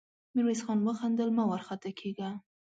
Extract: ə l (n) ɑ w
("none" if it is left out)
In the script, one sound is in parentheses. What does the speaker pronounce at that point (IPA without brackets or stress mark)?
m